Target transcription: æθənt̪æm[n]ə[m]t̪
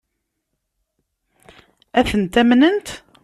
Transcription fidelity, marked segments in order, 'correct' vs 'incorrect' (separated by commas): correct, incorrect